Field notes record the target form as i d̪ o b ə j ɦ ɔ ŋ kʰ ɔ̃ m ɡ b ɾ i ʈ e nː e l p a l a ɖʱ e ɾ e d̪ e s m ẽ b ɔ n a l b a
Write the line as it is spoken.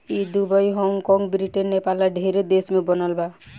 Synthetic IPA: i d̪ u b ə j ɦ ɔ ŋ k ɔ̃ ŋ ɡ b ɾ i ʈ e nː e p a l a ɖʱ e ɾ e d̪ e s m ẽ b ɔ n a l b a

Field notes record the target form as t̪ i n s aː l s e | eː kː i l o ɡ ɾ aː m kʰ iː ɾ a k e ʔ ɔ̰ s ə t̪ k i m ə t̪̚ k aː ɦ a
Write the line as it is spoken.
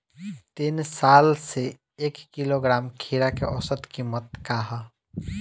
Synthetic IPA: t̪ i n s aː l s e | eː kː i l o ɡ ɾ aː m kʰ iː ɾ a k e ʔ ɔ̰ s ə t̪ k i m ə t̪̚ k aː ɦ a

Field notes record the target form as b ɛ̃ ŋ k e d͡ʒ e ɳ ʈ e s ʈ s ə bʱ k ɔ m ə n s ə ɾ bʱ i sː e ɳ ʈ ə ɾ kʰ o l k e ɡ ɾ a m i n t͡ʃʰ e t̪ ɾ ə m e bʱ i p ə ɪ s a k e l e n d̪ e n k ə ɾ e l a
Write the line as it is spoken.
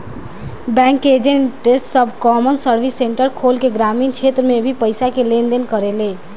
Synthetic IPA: b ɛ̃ ŋ k e d͡ʒ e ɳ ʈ e s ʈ s ə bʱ k ɔ m ə n s ə ɾ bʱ i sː e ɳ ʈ ə ɾ kʰ o l k e ɡ ɾ a m i n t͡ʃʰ e t̪ ɾ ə m e bʱ i p ə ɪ s a k e l e n d̪ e n k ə ɾ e l e

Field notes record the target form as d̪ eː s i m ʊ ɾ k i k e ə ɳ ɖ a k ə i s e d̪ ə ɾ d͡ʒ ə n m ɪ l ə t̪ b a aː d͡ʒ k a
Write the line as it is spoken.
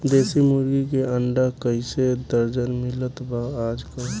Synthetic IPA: d̪ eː s i m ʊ ɾ ɡ i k e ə ɳ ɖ a k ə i s e d̪ ə ɾ d͡ʒ ə n m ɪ l ə t̪ b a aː d͡ʒ k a

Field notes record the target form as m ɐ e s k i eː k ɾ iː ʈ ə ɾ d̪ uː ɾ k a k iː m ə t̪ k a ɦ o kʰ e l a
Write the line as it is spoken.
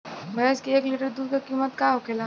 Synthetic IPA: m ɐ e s k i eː k l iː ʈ ə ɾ d̪ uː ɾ k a k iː m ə t̪ k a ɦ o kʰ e l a

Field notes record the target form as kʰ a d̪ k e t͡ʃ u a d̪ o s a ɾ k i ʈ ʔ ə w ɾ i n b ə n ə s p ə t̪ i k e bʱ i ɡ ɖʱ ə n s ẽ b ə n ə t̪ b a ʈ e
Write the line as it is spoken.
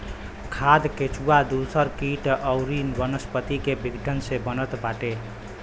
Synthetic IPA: kʰ a d̪ k e t͡ʃ u a d̪ u s ə ɾ k i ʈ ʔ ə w ɾ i n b ə n ə s p ə t̪ i k e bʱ i ɡ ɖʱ ə n s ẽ b ə n ə t̪ b a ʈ e

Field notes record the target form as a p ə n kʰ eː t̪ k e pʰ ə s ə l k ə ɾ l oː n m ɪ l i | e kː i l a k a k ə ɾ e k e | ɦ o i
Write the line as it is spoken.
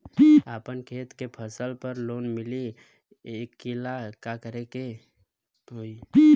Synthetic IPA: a p ə n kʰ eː t̪ k e pʰ ə s ə l p ə ɾ l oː n m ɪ l i | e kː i l a k a k ə ɾ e k e | ɦ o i

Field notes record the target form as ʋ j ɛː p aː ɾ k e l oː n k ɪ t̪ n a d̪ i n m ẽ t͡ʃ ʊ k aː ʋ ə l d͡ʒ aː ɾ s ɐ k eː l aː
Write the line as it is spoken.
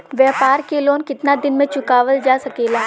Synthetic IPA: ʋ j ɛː p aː ɾ k e l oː n k ɪ t̪ n a d̪ ɪ n m ẽ t͡ʃ ʊ k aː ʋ ə l d͡ʒ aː s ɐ k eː l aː

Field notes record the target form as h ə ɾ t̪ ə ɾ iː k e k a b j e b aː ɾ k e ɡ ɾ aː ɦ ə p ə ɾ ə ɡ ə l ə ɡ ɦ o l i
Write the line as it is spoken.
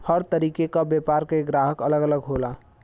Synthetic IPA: h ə ɾ t̪ ə ɾ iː k e k a b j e p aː ɾ k e ɡ ɾ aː ɦ ə k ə l ə ɡ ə l ə ɡ ɦ o l a

